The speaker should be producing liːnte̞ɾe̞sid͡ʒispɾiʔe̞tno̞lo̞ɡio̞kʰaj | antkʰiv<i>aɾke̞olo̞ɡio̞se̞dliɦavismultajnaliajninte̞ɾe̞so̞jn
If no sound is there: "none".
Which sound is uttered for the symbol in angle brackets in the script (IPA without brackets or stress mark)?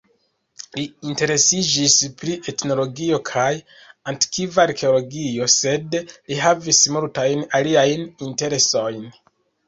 a